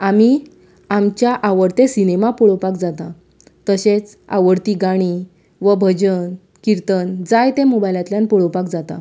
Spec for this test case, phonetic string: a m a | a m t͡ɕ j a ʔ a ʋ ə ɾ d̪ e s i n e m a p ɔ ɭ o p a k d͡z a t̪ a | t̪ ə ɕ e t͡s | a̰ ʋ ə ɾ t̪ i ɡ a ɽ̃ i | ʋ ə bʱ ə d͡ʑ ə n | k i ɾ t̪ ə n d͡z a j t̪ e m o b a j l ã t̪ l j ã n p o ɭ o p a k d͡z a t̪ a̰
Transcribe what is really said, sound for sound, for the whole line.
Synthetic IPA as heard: a m i | a m t͡ɕ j a ʔ a ʋ ə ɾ t̪ e s i n e m a p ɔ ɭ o p a k d͡z a t̪ a | t̪ ə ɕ e t͡s | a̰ ʋ ə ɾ t̪ i ɡ a ɽ̃ i | ʋ ə bʱ ə d͡ʑ ə n | k i ɾ t̪ ə n d͡z a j t̪ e m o b a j l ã t̪ l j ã n p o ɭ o p a k d͡z a t̪ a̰

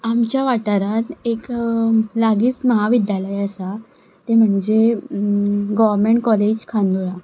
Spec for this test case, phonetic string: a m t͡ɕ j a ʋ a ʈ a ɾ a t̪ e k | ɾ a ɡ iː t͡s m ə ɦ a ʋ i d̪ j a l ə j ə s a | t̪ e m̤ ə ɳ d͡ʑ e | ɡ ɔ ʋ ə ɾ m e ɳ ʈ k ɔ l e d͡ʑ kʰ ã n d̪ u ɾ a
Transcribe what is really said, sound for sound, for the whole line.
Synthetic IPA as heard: a m t͡ɕ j a ʋ a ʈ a ɾ a t̪ e k | l a ɡ iː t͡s m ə ɦ a ʋ i d̪ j a l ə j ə s a | t̪ e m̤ ə ɳ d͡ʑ e | ɡ ɔ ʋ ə ɾ m e ɳ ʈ k ɔ l e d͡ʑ kʰ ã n d̪ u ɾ a

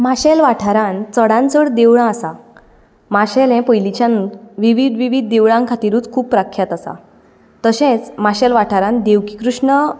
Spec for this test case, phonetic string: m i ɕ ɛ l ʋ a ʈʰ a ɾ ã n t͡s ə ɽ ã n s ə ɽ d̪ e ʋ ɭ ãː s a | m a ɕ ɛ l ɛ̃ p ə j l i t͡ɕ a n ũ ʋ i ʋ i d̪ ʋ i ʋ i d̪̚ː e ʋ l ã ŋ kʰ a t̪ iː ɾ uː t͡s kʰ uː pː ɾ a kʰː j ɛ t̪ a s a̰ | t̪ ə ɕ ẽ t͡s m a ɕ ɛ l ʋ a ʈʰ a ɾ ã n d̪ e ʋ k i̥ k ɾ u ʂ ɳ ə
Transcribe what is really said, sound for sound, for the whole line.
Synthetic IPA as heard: m a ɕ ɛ l ʋ a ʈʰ a ɾ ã n t͡s ə ɽ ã n t͡s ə ɽ d̪ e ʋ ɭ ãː s a | m a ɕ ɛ l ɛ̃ p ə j l i t͡ɕ a n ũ ʋ i ʋ i d̪ ʋ i ʋ i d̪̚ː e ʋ ɭ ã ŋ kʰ a t̪ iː ɾ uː t͡s kʰ uː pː ɾ a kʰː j a t̪ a s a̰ | t̪ ə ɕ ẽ t͡s m a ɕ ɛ l ʋ a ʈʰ a ɾ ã n d̪ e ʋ k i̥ k ɾ u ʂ ɳ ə

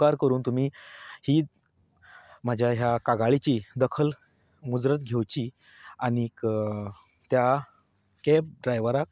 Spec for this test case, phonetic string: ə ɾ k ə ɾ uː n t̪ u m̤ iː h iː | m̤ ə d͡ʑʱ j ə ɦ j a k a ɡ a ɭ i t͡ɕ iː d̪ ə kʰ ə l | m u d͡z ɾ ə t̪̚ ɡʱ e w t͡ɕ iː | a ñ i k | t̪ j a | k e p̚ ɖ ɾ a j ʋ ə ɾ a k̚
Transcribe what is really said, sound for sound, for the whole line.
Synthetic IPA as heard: a ɾ k ə ɾ uː n t̪ u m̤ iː h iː | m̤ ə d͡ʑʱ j a ɦ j a k a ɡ a ɭ i t͡ɕ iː d̪ ə kʰ ə l | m u d͡z ɾ ə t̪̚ ɡʱ e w t͡ɕ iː | a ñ i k | t̪ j a | k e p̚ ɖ ɾ a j ʋ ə ɾ a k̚

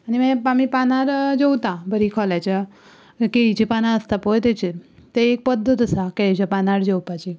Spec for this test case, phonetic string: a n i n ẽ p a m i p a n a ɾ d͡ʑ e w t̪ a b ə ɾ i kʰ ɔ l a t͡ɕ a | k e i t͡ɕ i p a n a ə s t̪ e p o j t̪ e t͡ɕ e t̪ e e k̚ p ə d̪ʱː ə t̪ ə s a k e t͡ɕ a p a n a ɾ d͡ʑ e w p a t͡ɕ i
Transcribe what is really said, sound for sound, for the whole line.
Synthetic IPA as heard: a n i m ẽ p a m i p a n a ɾ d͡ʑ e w t̪ a b ə ɾ i kʰ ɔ l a t͡ɕ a | k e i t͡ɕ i p a n a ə s t̪ a p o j t̪ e t͡ɕ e t̪ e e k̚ p ə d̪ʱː ə t̪ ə s a k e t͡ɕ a p a n a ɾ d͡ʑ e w p a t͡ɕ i

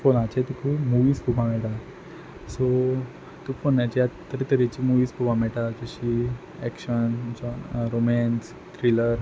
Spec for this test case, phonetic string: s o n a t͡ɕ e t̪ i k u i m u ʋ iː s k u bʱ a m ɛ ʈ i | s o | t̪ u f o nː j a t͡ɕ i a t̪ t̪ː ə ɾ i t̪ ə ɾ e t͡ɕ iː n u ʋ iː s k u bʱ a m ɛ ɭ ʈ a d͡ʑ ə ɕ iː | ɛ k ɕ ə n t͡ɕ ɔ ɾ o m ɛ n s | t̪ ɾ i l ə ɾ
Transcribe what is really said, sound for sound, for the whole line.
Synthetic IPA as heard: f o n a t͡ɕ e t̪ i k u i m u ʋ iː s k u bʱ a m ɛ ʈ a | s o | t̪ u f o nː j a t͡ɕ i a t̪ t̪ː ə ɾ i t̪ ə ɾ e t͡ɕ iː m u ʋ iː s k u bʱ a m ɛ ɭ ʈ a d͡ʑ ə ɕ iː | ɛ k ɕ ə n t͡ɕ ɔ ɾ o m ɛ n s | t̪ ɾ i l ə ɾ

